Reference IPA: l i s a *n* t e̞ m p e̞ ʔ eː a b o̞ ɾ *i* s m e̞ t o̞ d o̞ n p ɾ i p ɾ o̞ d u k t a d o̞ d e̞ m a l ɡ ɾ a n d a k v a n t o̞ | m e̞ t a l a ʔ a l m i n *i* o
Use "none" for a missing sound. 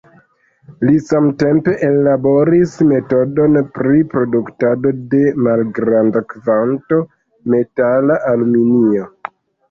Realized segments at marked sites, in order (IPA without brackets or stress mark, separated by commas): m, i, i